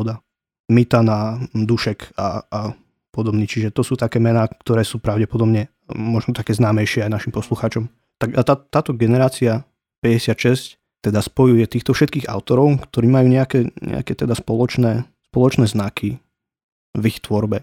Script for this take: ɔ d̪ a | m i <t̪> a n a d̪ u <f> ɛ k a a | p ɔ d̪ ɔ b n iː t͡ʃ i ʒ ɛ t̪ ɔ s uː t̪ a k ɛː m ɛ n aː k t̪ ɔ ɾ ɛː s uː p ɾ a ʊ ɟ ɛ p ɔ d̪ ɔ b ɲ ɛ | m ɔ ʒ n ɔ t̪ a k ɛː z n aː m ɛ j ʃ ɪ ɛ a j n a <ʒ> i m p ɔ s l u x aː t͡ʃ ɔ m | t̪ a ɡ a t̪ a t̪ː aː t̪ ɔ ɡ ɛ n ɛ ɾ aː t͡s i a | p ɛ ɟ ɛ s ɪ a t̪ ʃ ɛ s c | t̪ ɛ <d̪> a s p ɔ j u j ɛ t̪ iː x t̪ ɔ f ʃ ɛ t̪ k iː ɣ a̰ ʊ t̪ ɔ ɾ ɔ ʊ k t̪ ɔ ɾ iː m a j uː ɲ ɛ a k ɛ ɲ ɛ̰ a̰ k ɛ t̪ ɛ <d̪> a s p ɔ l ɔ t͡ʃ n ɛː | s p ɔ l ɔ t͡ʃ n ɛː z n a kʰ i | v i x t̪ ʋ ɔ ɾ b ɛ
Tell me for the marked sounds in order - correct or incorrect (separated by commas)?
correct, incorrect, incorrect, correct, correct